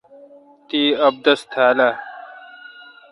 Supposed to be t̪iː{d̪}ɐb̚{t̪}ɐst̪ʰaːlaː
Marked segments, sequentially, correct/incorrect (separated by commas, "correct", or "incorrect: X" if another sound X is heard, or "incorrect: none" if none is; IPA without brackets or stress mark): incorrect: none, incorrect: d̪